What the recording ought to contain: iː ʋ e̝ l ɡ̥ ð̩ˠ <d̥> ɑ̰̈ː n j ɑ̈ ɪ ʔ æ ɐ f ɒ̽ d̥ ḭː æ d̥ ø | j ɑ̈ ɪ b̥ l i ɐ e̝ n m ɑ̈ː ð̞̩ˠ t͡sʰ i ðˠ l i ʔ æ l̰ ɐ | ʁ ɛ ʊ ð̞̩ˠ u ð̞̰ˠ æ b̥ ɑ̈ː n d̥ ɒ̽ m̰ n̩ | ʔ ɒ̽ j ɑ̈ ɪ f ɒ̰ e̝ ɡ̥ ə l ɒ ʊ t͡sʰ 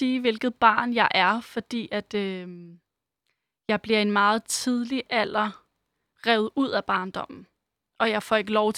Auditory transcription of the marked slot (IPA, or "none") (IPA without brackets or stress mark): b̥